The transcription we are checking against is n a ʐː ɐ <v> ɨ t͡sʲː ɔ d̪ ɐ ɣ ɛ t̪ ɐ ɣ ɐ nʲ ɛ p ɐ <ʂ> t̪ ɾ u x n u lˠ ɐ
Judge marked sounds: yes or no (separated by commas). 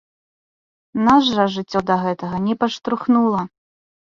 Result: no, yes